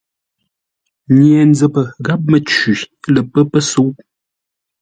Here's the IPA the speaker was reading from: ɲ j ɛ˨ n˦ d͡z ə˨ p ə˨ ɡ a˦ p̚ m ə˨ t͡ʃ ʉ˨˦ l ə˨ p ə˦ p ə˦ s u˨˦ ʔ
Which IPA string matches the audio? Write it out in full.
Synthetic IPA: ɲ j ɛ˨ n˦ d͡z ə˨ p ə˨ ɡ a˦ p̚ m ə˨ t͡ʃ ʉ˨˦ l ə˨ p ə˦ p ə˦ s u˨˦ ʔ